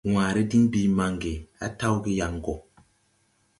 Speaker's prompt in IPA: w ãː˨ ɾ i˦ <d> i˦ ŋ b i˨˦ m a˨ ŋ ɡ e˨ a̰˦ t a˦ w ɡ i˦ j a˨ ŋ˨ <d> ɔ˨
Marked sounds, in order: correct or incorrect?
correct, incorrect: ɡ

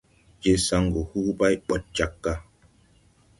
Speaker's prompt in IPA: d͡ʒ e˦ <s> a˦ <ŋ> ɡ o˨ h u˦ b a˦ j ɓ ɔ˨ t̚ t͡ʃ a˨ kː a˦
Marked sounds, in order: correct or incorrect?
correct, correct

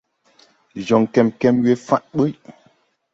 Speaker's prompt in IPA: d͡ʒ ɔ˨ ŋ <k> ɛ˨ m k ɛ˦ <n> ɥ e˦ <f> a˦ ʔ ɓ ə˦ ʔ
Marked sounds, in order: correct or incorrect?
correct, incorrect: m, correct

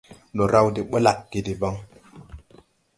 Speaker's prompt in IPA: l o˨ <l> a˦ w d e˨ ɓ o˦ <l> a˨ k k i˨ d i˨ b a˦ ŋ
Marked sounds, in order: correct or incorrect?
incorrect: ɾ, correct

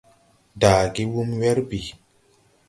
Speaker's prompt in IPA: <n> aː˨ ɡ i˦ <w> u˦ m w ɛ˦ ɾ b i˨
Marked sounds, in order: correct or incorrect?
incorrect: d, correct

